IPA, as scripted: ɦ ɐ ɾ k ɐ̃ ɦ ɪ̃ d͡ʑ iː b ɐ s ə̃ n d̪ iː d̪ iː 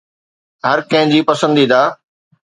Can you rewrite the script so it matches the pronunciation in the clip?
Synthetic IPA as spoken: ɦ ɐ ɾ k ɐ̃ ɦ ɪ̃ d͡ʑ iː p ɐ s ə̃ n d̪ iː d̪ aː